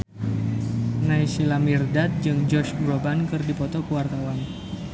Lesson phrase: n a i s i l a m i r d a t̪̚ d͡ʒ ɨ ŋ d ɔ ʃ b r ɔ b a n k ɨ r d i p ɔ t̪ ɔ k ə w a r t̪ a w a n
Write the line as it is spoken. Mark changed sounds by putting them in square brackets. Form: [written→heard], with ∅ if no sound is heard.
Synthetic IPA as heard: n a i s i l a m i r d a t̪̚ d͡ʒ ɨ ŋ [d→d͡ʒ] ɔ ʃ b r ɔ b a n k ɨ r d i p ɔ t̪ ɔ k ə w a r t̪ a w a n